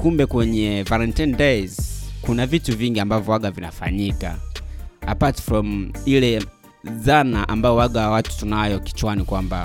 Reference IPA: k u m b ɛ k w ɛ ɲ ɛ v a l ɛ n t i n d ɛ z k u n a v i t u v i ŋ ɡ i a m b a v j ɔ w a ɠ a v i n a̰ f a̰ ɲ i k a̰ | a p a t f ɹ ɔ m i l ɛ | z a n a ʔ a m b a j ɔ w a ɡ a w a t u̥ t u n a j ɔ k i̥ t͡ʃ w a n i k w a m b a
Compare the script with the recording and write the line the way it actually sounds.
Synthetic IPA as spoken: k u m b ɛ k w ɛ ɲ ɛ v a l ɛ n t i n d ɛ z k u n a v i t u v i ŋ ɡ i a m b a v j ɔ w a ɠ a v i n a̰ f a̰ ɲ i k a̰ | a p a t f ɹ ɔ m i l ɛ | z a n a ʔ a m b a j ɔ w a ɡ a w a t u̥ t u n a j ɔ k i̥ t͡ʃ w a n i k w a m b a